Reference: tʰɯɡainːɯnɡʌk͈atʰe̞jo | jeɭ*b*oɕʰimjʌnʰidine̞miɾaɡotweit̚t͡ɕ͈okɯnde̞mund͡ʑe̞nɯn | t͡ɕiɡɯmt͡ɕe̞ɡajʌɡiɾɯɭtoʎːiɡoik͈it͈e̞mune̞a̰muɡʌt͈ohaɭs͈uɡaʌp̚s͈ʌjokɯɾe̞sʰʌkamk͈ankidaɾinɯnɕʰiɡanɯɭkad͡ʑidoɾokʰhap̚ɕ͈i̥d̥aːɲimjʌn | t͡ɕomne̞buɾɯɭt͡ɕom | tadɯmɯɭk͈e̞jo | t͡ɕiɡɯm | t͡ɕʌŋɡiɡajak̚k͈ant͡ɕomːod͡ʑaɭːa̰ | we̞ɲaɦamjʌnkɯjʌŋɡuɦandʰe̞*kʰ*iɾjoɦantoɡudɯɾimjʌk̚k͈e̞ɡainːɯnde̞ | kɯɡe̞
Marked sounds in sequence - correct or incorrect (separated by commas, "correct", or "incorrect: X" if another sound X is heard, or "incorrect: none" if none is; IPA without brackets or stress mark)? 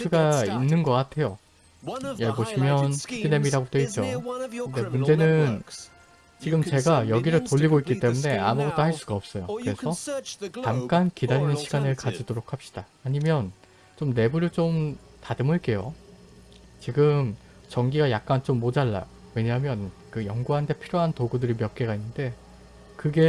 correct, incorrect: pʰ